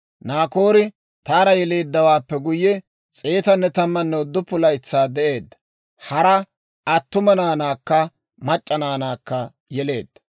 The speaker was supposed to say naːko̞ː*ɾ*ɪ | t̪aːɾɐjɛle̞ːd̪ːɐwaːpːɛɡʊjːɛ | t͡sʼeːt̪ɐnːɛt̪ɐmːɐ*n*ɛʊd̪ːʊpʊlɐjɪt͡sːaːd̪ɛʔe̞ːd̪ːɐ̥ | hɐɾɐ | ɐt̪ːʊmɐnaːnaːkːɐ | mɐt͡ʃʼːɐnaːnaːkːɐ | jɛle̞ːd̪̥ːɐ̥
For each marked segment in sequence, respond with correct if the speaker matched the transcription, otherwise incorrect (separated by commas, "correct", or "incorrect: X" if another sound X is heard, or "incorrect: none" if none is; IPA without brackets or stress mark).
correct, incorrect: nː